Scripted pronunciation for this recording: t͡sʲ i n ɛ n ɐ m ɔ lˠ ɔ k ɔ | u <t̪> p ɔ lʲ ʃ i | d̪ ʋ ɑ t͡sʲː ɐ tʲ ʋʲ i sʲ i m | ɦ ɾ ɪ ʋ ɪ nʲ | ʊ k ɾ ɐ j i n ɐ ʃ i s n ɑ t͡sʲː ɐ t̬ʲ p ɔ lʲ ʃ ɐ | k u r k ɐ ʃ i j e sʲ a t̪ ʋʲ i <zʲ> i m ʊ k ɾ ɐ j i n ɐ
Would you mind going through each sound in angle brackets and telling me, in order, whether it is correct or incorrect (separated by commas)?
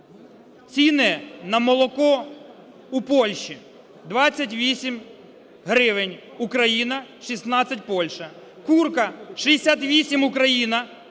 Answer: incorrect, incorrect